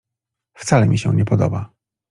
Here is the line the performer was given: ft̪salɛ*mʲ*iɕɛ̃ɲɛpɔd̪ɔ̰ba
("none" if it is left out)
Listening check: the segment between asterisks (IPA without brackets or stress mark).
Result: mʲ